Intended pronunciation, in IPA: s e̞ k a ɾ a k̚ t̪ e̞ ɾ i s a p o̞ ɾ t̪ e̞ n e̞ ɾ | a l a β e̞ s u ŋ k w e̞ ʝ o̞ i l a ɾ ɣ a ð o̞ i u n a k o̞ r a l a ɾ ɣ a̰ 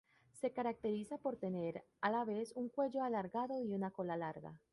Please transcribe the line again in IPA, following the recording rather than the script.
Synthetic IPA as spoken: s e̞ k a ɾ a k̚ t̪ e̞ ɾ i s a p o̞ ɾ t̪ e̞ n e̞ ɾ | a l a β e̞ s u ŋ k w e̞ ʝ o̞ a l a ɾ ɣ a ð o̞ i u n a k o̞ l a l a ɾ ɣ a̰